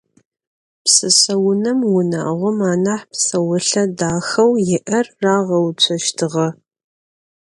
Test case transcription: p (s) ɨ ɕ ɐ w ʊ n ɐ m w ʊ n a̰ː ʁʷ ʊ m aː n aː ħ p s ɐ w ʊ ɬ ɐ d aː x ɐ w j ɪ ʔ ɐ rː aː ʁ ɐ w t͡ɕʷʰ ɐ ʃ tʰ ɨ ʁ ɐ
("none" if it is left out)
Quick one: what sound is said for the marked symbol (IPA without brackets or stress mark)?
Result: s